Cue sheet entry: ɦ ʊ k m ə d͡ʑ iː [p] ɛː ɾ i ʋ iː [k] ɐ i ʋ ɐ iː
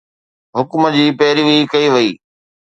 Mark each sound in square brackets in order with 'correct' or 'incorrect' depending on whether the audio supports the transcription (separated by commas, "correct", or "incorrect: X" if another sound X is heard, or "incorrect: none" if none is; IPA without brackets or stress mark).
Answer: correct, correct